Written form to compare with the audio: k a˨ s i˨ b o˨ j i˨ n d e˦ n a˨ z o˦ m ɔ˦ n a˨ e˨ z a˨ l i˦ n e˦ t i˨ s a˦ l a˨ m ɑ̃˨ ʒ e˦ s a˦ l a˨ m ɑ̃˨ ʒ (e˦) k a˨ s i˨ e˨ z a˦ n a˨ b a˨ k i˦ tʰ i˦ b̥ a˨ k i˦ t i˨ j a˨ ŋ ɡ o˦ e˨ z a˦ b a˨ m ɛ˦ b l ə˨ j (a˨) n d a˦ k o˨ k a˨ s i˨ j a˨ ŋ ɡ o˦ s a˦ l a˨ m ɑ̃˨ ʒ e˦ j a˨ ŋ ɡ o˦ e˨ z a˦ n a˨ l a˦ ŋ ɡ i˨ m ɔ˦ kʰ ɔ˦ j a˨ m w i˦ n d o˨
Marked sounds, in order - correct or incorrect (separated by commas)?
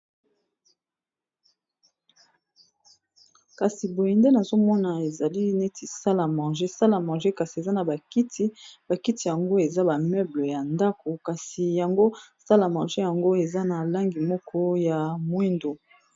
correct, correct